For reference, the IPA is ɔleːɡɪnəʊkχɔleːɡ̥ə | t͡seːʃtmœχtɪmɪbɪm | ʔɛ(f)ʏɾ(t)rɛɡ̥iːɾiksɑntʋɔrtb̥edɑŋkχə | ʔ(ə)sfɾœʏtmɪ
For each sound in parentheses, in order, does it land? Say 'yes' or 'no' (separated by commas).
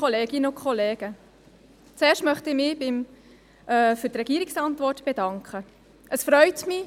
yes, yes, yes